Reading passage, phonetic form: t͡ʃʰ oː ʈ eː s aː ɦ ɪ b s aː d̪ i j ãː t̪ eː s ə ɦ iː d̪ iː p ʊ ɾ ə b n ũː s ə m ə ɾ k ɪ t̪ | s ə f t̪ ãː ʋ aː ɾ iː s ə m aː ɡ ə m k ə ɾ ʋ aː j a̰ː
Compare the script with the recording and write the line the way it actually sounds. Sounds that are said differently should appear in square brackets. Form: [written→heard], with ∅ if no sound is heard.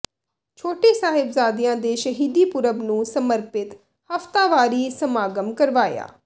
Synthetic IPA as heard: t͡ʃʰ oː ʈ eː s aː ɦ ɪ b [s→z] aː d̪ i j ãː [t̪→d̪] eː [s→ʃ] ə ɦ iː d̪ iː p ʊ ɾ ə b n ũː s ə m ə ɾ [k→p] ɪ t̪ | [s→h] ə f t̪ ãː ʋ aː ɾ iː s ə m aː ɡ ə m k ə ɾ ʋ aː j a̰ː